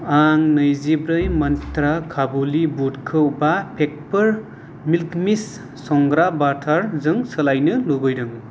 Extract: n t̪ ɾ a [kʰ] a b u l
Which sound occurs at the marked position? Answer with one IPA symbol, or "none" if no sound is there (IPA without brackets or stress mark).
kʰ